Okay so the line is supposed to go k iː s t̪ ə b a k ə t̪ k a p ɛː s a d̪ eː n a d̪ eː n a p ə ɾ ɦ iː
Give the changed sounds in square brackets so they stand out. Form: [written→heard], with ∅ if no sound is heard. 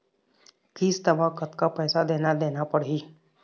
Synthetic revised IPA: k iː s t̪ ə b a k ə t̪ k a p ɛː s a d̪ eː n a d̪ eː n a p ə [ɾ→ɽ] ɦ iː